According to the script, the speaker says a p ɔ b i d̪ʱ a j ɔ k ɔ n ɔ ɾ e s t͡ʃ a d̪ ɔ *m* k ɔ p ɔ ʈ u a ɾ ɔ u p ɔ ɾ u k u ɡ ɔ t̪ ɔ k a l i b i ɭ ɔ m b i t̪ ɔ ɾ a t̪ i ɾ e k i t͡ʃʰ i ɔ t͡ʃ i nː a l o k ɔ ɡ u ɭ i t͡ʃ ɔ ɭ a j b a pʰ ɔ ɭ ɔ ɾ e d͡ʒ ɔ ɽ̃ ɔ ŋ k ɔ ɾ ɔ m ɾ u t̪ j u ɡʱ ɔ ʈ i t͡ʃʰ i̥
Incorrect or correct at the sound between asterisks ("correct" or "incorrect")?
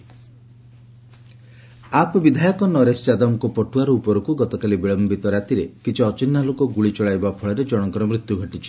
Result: correct